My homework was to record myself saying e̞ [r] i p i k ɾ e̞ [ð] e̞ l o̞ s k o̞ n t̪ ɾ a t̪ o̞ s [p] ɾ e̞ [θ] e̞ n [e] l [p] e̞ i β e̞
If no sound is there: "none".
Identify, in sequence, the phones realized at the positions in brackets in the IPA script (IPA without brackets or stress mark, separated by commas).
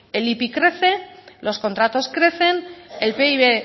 l, θ, k, θ, e, p